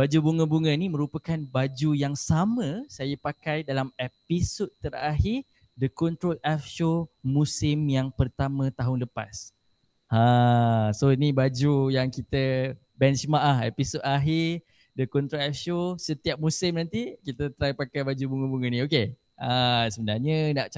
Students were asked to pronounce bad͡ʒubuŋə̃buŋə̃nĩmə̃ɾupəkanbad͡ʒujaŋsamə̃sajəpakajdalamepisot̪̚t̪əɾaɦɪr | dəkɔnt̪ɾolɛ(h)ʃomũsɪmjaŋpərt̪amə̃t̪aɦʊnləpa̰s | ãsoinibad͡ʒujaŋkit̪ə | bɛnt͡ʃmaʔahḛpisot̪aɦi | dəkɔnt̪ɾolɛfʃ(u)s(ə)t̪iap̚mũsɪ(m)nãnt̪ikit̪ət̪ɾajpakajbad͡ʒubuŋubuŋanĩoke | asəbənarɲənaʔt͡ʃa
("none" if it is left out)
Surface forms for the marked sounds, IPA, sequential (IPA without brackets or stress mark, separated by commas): f, o, ə, m